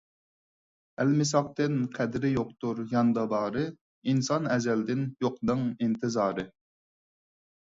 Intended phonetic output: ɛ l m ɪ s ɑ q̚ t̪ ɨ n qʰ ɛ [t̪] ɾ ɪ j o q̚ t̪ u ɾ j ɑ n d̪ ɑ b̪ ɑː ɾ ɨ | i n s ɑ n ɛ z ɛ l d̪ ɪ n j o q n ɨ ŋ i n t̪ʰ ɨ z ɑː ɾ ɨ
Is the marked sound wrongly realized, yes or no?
yes